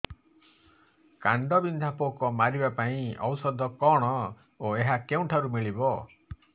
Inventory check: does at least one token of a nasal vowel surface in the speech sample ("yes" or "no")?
yes